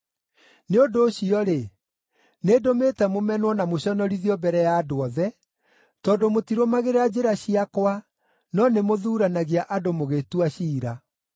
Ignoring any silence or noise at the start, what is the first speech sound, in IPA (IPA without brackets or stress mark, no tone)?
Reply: n